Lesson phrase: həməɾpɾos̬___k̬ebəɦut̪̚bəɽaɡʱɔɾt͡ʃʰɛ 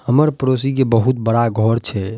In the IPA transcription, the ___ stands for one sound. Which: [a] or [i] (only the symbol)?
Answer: i